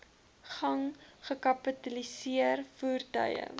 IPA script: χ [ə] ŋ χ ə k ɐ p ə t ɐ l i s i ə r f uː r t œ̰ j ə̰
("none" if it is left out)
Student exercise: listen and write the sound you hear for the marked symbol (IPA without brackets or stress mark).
ɐ